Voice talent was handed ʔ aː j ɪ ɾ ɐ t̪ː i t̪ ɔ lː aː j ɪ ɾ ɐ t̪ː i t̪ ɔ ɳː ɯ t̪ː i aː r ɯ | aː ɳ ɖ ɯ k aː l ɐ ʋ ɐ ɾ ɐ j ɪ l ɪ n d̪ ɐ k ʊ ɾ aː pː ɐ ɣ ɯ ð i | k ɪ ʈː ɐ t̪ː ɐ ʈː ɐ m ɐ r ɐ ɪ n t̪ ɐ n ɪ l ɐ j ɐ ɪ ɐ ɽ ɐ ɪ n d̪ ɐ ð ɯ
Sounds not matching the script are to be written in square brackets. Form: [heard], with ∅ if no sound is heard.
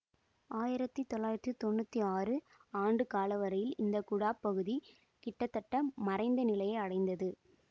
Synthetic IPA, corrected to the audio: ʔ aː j ɪ ɾ ɐ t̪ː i t̪ ɔ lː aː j ɪ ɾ ɐ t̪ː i t̪ ɔ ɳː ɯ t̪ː i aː r ɯ | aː ɳ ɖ ɯ k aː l ɐ ʋ ɐ ɾ ɐ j ɪ l ɪ n d̪ ɐ k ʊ [ɽ] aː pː ɐ ɣ ɯ ð i | k ɪ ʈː ɐ t̪ː ɐ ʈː ɐ m ɐ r ɐ ɪ n [d̪] ɐ n ɪ l ɐ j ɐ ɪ ɐ ɽ ɐ ɪ n d̪ ɐ ð ɯ